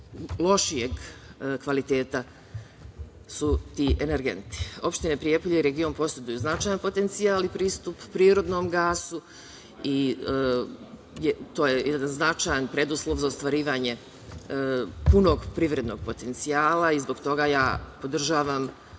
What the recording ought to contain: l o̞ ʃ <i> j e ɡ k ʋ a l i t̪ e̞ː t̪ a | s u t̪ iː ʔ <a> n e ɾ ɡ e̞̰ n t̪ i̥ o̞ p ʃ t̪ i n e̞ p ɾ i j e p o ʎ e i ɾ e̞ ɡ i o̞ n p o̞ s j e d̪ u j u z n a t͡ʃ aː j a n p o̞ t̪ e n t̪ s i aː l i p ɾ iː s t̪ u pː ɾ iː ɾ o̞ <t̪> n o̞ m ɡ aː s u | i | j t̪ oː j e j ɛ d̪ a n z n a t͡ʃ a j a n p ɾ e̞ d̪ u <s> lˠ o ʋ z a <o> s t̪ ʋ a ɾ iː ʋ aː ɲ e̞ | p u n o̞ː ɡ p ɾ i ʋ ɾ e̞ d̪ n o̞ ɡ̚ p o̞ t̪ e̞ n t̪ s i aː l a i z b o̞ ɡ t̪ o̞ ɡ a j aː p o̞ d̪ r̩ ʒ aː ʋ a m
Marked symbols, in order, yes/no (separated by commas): yes, no, no, yes, yes